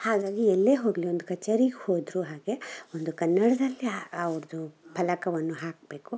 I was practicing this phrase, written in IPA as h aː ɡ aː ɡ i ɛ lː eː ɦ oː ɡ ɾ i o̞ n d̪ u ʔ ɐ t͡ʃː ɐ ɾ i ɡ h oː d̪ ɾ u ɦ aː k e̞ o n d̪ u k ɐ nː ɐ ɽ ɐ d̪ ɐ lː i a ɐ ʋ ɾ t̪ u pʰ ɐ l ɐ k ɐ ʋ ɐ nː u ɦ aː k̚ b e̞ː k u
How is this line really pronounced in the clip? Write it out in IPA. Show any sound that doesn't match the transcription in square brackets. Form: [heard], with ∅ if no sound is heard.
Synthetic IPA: h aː ɡ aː ɡ i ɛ lː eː ɦ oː ɡ [l] i o̞ n d̪ u [k] ɐ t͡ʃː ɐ ɾ i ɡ h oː d̪ ɾ u ɦ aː [ɡ] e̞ o n d̪ u k ɐ nː ɐ ɽ ɐ d̪ ɐ lː i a ɐ ʋ ɾ [d̪] u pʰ ɐ l ɐ k ɐ ʋ ɐ nː u ɦ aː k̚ b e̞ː k u